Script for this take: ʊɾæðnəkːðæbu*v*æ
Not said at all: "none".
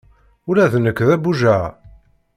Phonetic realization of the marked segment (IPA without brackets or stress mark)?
ʒ